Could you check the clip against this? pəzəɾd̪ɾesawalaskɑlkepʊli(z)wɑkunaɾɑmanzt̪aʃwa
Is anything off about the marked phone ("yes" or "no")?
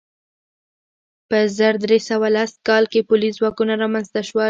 no